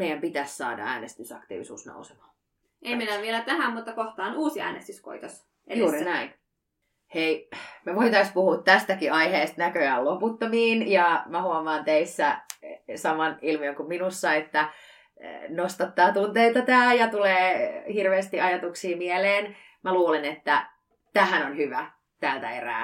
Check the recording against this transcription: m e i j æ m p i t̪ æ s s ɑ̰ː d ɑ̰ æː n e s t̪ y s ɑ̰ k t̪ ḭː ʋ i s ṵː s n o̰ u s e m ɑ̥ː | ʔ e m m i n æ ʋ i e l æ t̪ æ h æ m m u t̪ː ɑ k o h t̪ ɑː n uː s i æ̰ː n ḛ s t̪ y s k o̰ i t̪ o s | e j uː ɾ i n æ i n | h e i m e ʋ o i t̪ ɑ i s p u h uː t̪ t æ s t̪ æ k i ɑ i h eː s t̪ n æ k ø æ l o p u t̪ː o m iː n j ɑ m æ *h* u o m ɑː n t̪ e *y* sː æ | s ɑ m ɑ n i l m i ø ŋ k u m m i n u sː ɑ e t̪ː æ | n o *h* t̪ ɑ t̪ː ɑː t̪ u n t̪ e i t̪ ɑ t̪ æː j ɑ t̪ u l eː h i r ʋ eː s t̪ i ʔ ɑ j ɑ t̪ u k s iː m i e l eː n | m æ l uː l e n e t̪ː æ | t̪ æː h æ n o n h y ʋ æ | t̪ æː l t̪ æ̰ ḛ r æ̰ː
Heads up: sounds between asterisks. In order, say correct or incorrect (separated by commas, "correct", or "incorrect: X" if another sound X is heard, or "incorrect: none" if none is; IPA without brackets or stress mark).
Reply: correct, incorrect: i, incorrect: s